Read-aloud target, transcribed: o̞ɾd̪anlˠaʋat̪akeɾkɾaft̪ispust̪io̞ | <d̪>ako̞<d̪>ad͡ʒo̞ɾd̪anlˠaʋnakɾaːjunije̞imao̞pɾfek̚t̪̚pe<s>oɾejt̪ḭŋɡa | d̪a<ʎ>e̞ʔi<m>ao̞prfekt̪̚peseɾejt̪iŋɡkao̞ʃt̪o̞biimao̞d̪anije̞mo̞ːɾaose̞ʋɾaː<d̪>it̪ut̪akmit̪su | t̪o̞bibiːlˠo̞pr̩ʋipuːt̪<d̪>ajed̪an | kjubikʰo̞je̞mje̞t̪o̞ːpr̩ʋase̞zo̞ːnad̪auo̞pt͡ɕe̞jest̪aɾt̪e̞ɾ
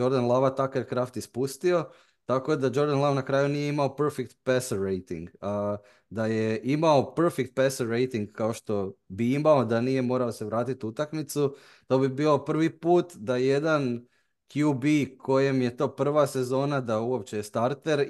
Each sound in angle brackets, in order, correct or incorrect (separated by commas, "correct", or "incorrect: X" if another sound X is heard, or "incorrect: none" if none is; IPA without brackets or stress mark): incorrect: t̪, correct, correct, incorrect: j, correct, incorrect: t̪, correct